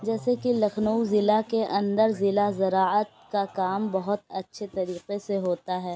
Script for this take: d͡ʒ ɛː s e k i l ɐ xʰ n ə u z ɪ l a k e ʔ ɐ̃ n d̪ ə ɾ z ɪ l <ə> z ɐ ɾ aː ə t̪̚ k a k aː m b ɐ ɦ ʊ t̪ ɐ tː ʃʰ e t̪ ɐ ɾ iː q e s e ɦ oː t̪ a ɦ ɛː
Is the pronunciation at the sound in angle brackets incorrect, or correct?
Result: incorrect